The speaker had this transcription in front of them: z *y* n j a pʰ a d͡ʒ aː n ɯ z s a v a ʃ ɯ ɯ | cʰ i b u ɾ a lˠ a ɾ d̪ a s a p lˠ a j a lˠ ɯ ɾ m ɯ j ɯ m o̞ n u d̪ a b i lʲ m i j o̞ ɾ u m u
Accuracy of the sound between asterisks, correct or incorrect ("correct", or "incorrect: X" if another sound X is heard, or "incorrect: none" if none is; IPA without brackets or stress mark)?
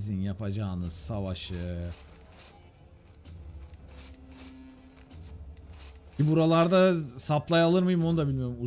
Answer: incorrect: i